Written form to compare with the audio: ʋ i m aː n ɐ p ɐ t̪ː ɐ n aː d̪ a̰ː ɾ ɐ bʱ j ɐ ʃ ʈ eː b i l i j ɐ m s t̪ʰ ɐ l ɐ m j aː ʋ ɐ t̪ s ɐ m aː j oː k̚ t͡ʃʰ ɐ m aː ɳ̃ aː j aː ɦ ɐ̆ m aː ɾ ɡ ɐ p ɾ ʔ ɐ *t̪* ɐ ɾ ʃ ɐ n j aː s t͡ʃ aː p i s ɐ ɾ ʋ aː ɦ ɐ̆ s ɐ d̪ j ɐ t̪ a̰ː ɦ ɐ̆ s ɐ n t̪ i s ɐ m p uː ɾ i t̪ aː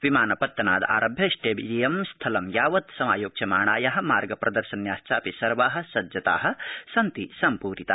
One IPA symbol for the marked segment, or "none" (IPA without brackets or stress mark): d̪